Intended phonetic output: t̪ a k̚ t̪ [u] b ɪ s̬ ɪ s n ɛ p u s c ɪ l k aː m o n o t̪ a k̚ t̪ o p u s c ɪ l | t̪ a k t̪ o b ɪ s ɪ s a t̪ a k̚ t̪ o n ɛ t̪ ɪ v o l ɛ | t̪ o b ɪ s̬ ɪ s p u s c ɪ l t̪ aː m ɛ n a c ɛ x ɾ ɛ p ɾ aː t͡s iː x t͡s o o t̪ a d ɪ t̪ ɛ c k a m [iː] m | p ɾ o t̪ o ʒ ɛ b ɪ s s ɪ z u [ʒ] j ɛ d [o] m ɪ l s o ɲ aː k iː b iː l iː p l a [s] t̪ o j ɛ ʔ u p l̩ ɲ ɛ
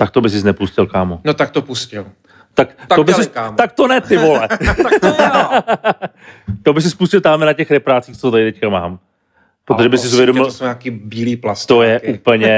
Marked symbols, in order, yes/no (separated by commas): no, no, no, yes, yes